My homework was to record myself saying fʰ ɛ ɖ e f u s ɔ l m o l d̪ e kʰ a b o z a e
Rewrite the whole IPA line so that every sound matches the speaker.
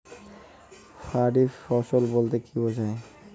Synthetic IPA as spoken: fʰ a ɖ i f ɔ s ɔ l b o l t̪ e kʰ i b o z a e

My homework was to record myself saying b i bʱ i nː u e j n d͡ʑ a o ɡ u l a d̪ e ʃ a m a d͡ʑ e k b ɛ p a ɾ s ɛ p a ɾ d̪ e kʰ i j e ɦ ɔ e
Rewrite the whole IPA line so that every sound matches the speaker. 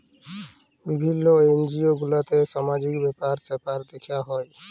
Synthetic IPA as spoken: b i bʱ i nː o e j n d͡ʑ i o ɡ u l a t̪ e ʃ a m a d͡ʑ i k b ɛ p a ɾ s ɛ p a ɾ d̪ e kʰ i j a ɦ ɔ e

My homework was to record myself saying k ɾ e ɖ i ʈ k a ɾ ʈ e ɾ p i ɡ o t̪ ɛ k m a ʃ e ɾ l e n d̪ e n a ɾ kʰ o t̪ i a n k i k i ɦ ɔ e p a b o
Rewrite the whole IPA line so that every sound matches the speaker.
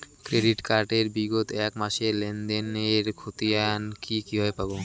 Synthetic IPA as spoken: k ɾ e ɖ i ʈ k a ɾ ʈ e ɾ b i ɡ o t̪ ɛ k m a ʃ e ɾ l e n d̪ e n e ɾ kʰ o t̪ i a n k i k i ɦ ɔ e p a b o

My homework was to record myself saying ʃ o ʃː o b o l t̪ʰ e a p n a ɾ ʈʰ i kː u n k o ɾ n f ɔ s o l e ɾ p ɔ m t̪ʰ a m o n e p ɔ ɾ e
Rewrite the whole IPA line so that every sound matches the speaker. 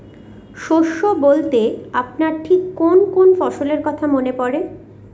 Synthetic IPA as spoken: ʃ o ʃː o b o l t̪ e a p n a ɾ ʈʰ i kː o n k o n f ɔ ʃ o l e ɾ k ɔ t̪ʰ a m o n e p ɔ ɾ e

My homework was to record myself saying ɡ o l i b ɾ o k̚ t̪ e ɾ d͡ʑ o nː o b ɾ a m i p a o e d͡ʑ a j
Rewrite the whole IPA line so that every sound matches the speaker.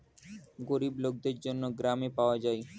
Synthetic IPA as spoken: ɡ o ɾ i b l o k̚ d̪ e ɾ d͡ʑ o nː o ɡ ɾ a m e p a o a d͡ʑ a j

